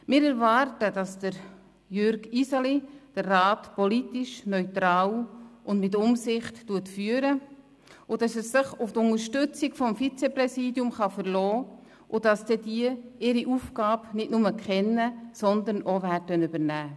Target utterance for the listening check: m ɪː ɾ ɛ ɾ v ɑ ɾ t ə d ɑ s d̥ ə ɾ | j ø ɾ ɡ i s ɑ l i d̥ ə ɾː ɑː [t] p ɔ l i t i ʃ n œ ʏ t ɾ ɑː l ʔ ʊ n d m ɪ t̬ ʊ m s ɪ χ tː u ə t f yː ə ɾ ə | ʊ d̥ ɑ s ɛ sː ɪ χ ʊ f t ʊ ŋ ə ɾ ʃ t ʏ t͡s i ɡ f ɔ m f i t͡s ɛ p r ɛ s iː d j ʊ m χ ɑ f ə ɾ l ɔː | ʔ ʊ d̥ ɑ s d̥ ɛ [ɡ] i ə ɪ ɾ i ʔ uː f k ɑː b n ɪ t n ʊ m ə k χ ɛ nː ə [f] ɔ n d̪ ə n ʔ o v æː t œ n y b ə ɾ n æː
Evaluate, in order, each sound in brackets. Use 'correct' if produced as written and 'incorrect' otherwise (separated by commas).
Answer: correct, incorrect, incorrect